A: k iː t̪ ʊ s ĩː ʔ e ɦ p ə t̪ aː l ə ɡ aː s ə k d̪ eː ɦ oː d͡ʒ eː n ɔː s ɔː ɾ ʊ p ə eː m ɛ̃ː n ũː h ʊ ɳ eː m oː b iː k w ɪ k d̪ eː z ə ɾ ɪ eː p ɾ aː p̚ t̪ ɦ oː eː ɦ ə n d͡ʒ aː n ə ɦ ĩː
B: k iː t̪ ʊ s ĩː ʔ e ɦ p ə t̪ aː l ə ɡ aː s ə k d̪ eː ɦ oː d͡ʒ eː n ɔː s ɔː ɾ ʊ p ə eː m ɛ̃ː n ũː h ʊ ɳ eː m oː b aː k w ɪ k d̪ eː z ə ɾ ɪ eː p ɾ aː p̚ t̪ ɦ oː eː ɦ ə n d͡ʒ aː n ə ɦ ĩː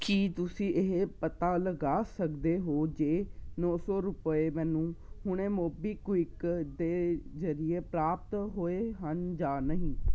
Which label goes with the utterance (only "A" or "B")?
A